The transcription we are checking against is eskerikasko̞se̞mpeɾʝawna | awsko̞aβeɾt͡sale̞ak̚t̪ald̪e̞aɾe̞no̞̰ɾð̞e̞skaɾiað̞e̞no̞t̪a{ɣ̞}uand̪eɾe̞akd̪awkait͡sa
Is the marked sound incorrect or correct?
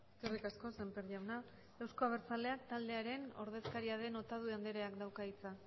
incorrect